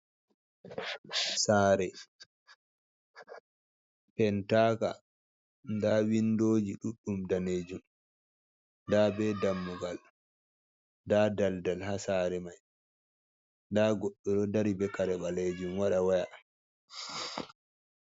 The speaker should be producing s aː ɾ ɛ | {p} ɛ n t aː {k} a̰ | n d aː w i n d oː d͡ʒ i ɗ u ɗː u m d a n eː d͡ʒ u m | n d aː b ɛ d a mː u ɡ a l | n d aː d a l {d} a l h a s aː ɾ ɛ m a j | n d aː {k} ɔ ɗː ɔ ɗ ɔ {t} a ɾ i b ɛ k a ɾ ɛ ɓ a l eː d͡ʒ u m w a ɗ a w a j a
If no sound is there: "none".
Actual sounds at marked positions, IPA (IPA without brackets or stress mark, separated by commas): p, k, d, ɡ, d